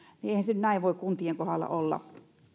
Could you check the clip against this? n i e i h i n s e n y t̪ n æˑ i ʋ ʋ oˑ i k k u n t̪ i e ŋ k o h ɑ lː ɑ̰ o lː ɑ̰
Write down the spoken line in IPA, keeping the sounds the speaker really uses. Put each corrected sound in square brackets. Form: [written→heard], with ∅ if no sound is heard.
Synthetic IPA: n i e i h [i→æ] n s e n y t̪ n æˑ i ʋ ʋ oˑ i k k u n t̪ i e ŋ k o h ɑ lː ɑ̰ o lː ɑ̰